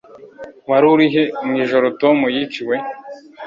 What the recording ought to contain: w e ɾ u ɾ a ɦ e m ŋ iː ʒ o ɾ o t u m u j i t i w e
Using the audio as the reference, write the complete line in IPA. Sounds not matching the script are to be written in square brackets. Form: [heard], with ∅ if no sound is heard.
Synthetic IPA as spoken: w [a] ɾ u ɾ [i] ɦ e m ŋ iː ʒ o ɾ o t [o] m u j i [t͡ʃ] i w e